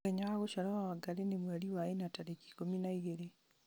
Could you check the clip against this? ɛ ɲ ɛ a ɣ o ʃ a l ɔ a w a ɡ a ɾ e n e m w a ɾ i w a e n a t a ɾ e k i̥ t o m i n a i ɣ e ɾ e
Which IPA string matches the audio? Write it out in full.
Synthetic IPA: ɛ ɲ a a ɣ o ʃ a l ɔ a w a ɡ a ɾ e n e m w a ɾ i w a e n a t a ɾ e k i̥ k o m i n a i ɣ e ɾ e